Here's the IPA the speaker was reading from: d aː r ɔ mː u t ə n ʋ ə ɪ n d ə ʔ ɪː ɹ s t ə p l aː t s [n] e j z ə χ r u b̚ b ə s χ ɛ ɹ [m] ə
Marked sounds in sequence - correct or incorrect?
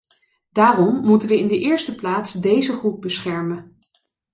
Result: incorrect: d, correct

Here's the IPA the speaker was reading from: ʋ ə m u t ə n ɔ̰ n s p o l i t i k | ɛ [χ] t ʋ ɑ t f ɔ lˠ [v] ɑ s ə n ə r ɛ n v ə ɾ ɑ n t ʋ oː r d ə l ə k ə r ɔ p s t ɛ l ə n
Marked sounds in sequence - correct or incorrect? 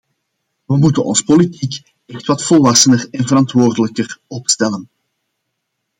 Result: incorrect: x, incorrect: ʋ

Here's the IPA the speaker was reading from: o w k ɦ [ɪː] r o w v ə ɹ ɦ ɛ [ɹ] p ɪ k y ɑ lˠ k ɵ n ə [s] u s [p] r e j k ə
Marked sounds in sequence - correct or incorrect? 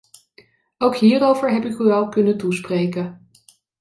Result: incorrect: iː, incorrect: none, incorrect: t, correct

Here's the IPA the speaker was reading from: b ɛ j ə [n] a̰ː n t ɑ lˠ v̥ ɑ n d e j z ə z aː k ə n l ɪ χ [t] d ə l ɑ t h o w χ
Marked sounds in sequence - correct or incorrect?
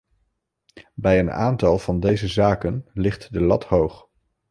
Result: correct, correct

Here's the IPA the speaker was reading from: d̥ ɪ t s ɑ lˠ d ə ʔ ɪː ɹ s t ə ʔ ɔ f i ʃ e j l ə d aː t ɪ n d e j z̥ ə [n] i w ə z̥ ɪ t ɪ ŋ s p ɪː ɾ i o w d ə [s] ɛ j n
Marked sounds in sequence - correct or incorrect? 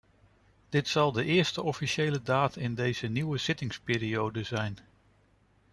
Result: correct, incorrect: z

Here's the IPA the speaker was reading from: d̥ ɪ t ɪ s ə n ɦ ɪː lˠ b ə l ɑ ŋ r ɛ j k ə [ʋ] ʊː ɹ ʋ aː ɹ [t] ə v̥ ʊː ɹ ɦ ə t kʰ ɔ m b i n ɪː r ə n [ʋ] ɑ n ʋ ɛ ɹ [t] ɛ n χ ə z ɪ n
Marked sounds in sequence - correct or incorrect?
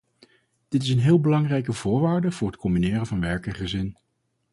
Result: incorrect: v, incorrect: d, incorrect: v, incorrect: k

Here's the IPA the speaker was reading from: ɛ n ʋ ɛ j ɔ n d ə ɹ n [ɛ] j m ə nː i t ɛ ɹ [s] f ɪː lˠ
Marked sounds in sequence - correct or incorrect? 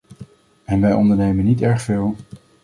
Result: incorrect: e, incorrect: χ

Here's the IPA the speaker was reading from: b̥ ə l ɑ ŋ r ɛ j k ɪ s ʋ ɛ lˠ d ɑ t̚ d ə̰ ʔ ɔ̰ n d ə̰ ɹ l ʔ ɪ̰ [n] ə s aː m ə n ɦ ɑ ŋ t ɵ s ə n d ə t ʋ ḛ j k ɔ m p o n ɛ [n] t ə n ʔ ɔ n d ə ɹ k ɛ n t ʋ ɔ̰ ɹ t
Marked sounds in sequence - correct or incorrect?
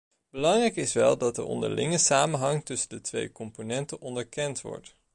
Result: incorrect: ŋ, correct

